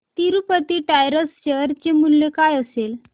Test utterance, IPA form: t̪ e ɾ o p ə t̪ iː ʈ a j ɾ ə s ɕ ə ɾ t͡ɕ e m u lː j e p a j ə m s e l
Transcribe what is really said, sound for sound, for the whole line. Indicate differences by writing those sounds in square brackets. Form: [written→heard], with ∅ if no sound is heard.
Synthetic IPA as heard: t̪ [e→i] ɾ [o→u] p ə t̪ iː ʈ a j ɾ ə s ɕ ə ɾ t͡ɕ e m u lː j e [p→k] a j ə [m→∅] s e l

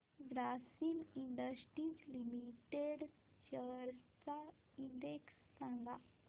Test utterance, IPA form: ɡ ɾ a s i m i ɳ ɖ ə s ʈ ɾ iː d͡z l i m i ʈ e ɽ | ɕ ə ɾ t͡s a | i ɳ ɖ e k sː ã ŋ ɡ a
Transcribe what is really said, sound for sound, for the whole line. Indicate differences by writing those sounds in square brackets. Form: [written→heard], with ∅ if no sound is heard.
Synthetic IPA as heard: ɡ ɾ a s i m i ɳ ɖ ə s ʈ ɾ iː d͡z l i m i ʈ e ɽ | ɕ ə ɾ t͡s a | i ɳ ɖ e k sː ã ŋ ɡ a

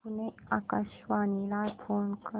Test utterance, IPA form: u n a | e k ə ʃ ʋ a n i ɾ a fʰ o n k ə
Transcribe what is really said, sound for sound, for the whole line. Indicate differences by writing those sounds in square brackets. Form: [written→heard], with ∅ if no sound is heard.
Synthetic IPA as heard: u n [a→e] | [e→a] k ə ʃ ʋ a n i [ɾ→l] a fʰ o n k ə

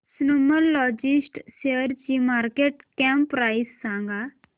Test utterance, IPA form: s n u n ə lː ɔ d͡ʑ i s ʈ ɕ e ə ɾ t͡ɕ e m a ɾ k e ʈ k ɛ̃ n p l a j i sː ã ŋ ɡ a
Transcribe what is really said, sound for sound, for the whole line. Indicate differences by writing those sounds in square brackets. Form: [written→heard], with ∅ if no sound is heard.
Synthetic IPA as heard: s n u [n→m] ə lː ɔ d͡ʑ i s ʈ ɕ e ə ɾ t͡ɕ [e→i] m a ɾ k e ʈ k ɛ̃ [n→m] p [l→ɾ] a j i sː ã ŋ ɡ a

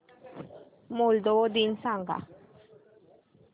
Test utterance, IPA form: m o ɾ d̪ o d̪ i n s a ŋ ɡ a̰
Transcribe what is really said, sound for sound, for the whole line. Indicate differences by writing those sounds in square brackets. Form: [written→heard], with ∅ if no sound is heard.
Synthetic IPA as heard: m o [ɾ→l] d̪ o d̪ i n s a ŋ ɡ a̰

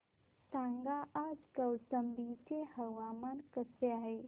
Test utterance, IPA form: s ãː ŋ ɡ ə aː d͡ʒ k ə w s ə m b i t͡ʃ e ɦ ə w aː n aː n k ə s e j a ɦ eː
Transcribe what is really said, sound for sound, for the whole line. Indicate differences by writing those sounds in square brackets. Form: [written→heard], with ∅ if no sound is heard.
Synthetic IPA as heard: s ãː ŋ ɡ [ə→a] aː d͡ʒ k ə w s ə m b i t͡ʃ e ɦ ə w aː [n→m] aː n k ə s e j a ɦ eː

